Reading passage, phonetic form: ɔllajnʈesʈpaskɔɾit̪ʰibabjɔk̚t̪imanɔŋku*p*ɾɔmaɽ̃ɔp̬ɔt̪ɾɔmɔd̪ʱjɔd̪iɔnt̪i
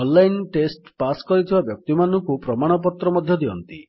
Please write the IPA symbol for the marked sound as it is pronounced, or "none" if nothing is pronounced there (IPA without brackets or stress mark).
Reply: p